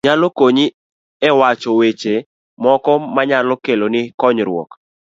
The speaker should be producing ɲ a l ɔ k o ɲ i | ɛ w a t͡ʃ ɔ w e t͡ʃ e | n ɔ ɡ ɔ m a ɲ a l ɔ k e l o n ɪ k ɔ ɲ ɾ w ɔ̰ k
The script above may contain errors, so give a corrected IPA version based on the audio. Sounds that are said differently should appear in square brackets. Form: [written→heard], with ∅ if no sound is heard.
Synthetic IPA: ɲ a l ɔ k o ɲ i | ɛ w a t͡ʃ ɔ w e t͡ʃ e | [n→m] ɔ [ɡ→k] ɔ m a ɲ a l ɔ k e l o n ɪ k ɔ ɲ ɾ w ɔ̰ k